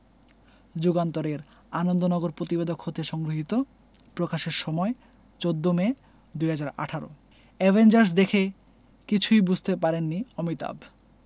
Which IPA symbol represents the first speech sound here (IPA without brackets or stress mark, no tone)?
d͡ʑ